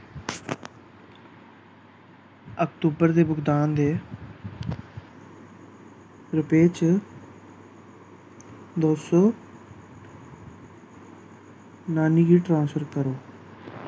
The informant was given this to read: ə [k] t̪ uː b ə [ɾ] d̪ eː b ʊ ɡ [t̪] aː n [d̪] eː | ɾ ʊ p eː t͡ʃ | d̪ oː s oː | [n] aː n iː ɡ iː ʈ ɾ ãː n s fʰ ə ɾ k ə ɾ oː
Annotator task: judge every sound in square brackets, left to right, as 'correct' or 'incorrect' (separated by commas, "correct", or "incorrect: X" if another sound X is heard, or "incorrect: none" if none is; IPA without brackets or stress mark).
correct, correct, incorrect: d̪, correct, correct